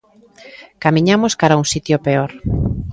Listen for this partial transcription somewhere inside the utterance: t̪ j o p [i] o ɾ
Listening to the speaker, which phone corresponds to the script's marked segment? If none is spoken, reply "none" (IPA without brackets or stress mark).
e